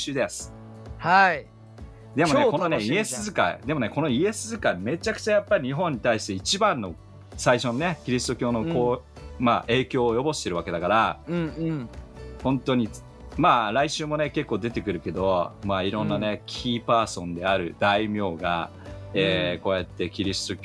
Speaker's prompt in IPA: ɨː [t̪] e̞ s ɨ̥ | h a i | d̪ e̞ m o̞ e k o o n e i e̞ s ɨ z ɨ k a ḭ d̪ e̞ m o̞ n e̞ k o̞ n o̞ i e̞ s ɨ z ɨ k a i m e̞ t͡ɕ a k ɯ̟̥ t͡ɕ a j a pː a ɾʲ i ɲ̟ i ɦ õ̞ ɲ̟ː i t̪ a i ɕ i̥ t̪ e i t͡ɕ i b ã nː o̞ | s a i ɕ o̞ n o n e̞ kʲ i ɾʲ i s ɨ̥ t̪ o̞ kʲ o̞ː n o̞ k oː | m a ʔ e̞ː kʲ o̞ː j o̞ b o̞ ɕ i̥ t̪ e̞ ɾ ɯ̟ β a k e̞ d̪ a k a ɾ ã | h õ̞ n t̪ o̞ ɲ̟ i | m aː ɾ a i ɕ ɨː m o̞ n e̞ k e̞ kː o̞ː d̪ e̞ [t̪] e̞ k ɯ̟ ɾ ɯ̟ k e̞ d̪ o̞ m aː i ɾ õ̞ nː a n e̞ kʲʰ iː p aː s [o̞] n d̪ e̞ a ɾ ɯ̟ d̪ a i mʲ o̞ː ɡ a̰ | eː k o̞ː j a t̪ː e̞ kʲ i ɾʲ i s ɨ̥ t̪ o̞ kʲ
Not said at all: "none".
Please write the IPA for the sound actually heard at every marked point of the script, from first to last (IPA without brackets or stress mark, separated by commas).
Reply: d̪, t̪, õ̞